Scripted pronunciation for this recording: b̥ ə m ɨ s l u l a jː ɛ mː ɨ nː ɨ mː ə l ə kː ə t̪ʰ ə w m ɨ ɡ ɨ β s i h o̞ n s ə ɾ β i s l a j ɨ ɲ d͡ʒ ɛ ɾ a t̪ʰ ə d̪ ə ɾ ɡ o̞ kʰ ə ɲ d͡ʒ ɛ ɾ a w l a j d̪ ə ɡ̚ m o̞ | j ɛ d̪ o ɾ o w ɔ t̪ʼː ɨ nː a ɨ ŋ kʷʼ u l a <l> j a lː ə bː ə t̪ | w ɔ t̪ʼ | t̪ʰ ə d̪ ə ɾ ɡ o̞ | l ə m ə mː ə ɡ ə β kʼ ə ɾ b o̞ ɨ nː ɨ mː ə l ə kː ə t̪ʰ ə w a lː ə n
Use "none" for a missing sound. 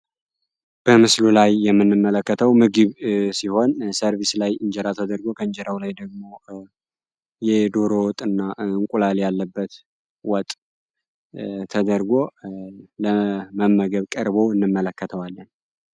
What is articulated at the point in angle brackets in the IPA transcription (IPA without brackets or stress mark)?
l